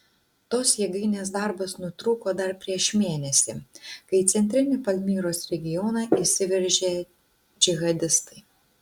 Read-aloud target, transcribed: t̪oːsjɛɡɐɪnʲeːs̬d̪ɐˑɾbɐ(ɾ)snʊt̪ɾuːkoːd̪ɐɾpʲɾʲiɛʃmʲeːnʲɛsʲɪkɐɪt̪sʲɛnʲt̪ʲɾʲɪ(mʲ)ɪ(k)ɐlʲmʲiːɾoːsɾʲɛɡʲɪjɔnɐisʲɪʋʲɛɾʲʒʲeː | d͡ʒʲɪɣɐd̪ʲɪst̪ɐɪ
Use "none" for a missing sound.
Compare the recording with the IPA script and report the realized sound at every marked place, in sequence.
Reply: none, nʲ, p

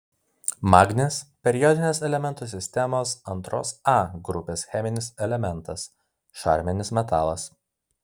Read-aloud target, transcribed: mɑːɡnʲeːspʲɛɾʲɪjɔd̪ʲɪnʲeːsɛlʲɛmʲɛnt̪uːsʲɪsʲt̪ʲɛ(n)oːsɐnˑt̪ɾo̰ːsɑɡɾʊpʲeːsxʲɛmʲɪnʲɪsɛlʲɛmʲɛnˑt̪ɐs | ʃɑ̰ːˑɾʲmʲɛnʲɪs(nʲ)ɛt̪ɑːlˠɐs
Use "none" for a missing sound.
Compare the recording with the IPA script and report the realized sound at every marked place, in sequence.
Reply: m, mʲ

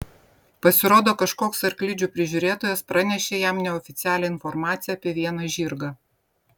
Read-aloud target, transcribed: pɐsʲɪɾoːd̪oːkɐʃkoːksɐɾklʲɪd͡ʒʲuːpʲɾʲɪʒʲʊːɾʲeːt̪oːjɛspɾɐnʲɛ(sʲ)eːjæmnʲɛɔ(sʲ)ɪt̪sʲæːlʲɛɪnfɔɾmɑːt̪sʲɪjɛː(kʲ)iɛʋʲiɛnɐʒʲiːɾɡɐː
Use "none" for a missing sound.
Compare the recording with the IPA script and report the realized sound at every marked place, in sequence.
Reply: ʃʲ, fʲ, pʲ

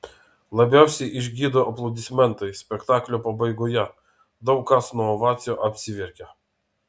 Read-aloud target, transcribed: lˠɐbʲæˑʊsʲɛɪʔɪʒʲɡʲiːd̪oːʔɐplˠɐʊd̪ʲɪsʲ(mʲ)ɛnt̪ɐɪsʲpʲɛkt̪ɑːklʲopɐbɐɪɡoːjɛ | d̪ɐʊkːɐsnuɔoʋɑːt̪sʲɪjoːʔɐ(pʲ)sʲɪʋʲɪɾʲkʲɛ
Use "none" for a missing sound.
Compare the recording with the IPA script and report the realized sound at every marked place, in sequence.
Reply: mʲ, pʲ

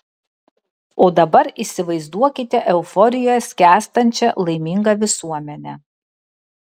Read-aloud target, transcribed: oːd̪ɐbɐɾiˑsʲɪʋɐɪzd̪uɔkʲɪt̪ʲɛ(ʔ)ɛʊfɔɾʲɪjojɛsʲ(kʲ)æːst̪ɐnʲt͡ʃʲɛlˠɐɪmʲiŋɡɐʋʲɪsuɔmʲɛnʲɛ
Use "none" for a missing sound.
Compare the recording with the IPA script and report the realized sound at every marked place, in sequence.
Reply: ʔ, kʲ

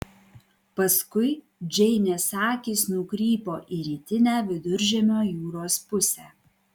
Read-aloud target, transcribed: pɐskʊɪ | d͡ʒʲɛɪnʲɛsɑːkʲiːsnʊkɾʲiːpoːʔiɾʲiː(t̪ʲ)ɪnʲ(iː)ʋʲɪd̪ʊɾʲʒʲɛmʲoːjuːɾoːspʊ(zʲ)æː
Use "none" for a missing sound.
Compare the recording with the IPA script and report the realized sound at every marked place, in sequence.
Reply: t̪ʲ, æː, sʲ

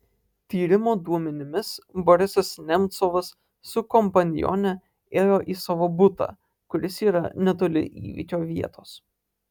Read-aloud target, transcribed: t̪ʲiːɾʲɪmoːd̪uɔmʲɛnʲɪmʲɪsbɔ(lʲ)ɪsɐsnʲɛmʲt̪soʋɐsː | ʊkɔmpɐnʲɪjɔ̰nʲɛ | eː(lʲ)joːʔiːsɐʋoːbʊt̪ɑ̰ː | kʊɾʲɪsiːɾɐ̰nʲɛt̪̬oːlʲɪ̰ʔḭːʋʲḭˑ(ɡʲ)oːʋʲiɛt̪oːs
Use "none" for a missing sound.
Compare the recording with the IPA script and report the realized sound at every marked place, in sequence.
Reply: ɾʲ, none, kʲ

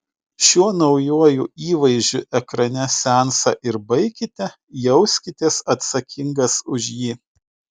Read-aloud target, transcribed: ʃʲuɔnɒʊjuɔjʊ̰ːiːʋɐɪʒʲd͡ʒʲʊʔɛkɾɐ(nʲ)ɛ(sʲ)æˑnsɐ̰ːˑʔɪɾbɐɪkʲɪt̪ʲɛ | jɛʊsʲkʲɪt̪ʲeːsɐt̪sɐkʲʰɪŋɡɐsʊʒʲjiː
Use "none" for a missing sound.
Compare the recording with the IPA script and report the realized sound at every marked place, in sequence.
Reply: nʲ, sʲ

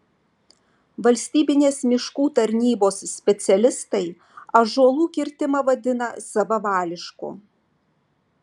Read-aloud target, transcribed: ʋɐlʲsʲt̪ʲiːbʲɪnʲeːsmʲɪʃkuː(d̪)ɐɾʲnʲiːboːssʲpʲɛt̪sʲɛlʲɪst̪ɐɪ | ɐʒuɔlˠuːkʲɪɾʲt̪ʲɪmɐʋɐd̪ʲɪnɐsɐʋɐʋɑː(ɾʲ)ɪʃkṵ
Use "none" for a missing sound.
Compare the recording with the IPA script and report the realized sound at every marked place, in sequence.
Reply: t̪, lʲ

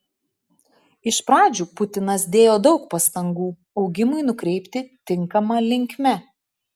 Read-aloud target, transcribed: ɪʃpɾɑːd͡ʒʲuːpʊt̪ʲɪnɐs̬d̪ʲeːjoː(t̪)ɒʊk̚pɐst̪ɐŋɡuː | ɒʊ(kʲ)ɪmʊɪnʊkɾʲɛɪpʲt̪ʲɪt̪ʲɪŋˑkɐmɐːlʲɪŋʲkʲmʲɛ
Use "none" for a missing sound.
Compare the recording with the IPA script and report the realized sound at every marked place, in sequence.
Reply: d̪, ɡʲ

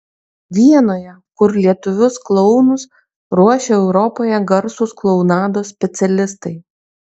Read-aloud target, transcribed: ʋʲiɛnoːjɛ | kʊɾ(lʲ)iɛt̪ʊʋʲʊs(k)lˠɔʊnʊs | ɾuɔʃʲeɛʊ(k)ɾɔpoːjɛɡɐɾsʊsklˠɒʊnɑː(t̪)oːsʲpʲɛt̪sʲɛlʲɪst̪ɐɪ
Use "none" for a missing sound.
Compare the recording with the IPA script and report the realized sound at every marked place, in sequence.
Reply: lʲ, k, none, d̪

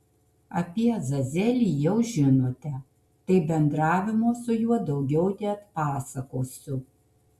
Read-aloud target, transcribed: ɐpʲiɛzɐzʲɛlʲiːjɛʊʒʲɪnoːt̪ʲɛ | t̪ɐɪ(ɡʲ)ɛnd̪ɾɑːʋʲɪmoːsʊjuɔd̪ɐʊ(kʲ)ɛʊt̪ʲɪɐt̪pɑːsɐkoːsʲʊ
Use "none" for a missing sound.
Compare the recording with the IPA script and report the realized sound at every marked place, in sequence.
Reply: bʲ, ɡʲ

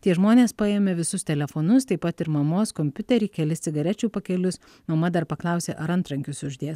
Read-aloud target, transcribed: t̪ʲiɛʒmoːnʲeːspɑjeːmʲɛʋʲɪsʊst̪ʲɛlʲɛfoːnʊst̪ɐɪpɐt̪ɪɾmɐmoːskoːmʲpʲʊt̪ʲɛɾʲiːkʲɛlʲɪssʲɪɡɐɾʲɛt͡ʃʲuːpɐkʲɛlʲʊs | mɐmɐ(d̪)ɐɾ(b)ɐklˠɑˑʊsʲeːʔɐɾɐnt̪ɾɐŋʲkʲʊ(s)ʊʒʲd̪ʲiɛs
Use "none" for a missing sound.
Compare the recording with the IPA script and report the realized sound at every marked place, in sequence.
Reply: d̪, p, s

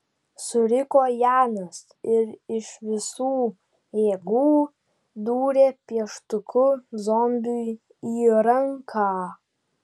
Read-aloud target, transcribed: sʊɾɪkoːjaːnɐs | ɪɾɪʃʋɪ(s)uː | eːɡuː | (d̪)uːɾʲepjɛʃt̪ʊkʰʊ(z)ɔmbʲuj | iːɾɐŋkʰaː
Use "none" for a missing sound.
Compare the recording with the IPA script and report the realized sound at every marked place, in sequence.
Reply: s, d̪, z

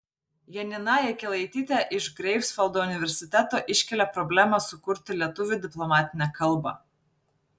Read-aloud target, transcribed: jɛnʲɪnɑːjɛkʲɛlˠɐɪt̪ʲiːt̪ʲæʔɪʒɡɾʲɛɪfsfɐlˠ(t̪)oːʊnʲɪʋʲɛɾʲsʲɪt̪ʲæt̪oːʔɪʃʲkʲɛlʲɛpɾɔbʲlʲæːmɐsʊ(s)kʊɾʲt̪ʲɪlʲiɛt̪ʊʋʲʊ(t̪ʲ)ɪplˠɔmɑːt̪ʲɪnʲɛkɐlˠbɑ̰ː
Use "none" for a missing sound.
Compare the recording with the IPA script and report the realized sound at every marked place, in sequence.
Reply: d̪, none, d̪ʲ

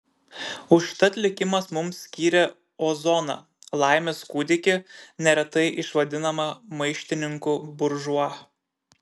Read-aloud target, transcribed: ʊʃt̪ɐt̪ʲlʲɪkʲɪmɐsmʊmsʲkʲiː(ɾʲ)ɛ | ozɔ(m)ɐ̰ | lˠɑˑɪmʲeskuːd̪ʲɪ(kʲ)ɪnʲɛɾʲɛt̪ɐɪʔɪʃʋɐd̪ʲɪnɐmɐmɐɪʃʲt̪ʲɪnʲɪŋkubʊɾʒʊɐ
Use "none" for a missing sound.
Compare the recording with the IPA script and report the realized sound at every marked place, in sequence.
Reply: ɾʲ, n, kʲ

